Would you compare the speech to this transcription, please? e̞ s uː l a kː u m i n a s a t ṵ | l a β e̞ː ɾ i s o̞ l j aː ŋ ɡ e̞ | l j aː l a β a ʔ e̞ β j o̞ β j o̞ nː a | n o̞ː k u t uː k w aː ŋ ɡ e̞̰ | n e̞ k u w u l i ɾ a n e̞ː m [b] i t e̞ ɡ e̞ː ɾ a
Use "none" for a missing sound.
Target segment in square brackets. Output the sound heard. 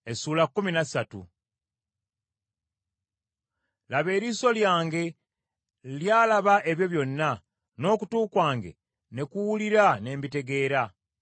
b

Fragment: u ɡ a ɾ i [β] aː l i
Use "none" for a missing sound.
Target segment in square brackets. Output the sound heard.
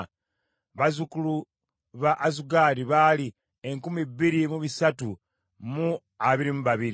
β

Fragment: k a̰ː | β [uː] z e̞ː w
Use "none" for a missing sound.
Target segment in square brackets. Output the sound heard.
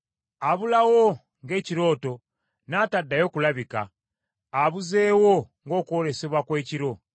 u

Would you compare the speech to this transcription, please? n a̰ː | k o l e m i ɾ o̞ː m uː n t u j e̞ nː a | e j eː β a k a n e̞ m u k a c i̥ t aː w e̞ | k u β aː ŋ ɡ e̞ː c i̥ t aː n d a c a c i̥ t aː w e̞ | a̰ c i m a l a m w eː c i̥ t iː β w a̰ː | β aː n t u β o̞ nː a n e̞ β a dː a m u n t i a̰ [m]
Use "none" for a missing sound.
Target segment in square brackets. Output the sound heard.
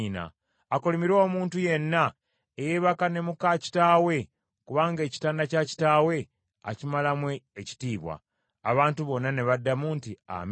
m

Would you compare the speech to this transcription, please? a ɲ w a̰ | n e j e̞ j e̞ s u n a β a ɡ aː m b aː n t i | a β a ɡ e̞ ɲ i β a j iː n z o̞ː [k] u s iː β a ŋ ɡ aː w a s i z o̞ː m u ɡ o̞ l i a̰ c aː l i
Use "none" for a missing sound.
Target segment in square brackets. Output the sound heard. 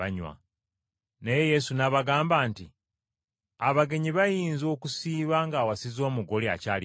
k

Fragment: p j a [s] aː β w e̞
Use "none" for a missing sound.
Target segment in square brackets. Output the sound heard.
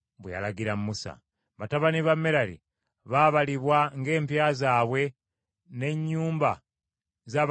z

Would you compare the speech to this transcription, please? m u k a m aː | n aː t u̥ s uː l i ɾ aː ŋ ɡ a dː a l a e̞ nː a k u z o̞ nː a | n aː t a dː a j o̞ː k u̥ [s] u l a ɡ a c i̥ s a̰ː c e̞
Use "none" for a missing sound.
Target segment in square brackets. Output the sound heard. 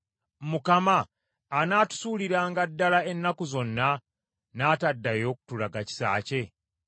t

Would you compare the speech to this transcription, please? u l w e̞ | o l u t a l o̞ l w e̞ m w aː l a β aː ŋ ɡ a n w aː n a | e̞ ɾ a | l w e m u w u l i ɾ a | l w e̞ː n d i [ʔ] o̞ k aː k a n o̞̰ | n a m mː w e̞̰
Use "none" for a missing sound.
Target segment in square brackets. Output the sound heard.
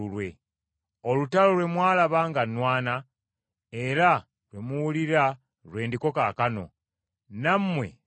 k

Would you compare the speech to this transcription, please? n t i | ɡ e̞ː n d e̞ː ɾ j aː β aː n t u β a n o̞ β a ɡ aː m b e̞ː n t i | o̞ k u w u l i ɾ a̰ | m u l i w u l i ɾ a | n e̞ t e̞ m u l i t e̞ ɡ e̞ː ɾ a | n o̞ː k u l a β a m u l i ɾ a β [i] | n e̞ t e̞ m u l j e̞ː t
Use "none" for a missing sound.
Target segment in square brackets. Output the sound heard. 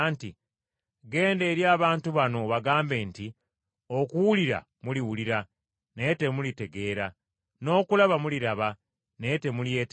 a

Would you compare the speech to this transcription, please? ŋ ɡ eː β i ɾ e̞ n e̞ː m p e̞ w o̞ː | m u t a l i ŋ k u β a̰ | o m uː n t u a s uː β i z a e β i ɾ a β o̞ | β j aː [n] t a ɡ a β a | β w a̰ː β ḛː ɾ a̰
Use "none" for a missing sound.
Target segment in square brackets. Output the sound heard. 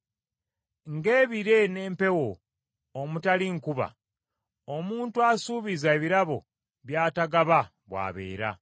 none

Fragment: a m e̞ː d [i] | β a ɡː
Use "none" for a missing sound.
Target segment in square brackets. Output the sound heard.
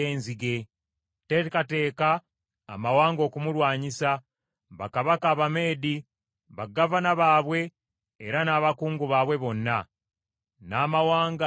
i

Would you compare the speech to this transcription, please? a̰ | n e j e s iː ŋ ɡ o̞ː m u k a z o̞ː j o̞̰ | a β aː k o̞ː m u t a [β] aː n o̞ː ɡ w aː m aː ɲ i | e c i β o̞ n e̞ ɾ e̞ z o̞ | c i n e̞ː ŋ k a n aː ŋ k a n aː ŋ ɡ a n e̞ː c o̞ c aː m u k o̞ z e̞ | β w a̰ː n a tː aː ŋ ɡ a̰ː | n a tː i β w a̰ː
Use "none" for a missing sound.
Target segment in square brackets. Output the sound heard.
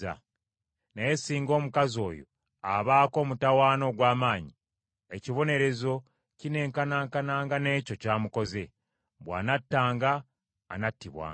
w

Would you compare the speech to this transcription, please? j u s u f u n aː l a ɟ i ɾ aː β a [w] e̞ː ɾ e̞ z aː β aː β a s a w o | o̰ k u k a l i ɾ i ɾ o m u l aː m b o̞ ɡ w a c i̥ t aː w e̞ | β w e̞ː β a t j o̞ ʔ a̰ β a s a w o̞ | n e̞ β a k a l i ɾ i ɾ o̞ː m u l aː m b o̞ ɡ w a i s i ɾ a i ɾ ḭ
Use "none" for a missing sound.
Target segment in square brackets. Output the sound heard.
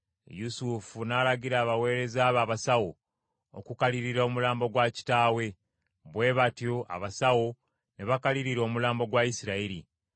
w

